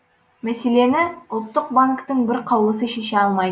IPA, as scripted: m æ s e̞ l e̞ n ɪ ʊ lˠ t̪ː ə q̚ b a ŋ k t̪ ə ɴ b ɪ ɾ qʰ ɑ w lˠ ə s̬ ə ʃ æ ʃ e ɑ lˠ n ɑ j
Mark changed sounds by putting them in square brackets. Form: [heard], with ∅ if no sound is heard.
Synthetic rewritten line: m æ s e̞ l e̞ n ɪ ʊ lˠ t̪ː ə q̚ b a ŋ k t̪ ə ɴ b ɪ ɾ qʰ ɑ w lˠ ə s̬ ə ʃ [e] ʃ e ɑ lˠ [m] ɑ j